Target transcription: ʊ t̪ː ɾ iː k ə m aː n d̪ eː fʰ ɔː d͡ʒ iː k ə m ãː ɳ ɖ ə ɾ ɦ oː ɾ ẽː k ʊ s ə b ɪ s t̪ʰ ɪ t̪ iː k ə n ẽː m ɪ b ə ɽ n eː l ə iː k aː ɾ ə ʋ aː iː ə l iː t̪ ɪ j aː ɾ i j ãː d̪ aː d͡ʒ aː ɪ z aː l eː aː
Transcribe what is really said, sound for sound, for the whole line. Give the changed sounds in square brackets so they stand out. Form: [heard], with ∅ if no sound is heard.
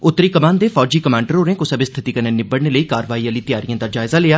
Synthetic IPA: ʊ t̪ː ɾ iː k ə m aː n d̪ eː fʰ ɔː d͡ʒ iː k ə m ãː ɳ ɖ ə ɾ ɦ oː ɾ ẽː k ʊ s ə b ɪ s t̪ʰ ɪ t̪ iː k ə n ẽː [n] ɪ b ə ɽ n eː l ə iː k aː ɾ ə ʋ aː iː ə l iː t̪ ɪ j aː ɾ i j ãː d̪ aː d͡ʒ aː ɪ z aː l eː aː